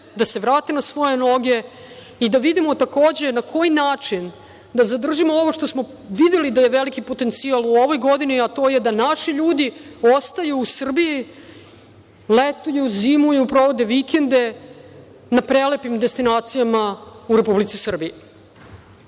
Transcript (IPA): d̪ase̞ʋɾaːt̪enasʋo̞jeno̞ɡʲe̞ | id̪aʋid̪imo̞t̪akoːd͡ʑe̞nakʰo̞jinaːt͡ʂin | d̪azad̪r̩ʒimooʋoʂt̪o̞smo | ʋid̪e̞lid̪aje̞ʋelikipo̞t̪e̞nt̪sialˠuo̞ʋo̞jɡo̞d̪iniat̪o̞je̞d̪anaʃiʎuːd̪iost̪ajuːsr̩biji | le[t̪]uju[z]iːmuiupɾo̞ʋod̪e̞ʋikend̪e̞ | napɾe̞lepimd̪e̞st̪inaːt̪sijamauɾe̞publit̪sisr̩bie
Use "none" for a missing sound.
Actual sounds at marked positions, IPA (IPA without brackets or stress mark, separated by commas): t̪, z